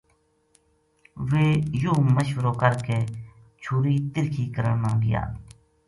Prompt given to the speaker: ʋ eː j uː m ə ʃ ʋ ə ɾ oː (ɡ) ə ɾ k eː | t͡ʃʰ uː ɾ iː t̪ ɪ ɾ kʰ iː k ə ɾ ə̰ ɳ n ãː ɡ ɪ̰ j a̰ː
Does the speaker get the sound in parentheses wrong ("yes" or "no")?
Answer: yes